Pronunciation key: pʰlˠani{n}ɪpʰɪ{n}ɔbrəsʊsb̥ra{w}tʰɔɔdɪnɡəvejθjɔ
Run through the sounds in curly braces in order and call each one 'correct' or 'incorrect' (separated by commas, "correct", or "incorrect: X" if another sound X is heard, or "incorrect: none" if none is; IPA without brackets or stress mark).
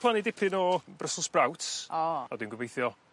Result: incorrect: d, correct, correct